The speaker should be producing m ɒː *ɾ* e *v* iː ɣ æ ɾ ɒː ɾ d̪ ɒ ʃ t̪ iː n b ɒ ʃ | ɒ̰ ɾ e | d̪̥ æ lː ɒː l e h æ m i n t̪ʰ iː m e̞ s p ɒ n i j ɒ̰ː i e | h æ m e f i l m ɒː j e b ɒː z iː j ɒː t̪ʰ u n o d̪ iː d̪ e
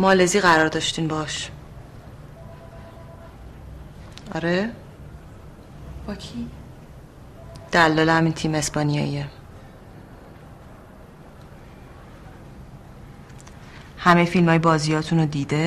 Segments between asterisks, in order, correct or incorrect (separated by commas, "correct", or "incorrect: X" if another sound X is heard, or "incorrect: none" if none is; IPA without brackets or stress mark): incorrect: l, incorrect: z